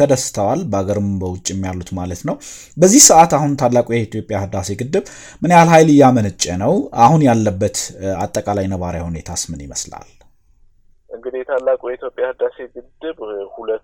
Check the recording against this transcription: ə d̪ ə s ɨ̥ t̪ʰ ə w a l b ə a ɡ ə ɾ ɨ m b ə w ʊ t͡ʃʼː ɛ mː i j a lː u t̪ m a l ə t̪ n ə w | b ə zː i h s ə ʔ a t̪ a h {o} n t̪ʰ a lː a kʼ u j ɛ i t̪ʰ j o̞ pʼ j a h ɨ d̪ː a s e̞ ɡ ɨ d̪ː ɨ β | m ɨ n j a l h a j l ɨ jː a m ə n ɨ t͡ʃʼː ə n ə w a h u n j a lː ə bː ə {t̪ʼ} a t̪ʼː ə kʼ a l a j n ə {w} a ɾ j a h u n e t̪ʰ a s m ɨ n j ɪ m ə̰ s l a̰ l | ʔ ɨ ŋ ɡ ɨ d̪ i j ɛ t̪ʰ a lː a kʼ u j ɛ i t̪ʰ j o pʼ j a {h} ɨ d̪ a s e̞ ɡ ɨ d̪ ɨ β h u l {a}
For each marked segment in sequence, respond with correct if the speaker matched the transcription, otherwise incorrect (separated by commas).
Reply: incorrect, incorrect, incorrect, correct, incorrect